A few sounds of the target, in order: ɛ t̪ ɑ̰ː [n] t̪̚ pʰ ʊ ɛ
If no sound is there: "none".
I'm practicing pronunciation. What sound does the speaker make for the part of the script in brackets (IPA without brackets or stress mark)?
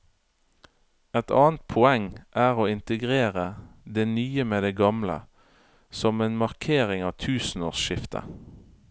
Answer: n